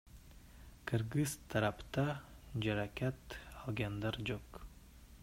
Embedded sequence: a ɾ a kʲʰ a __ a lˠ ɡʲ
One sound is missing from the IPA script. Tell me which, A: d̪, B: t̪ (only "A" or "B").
B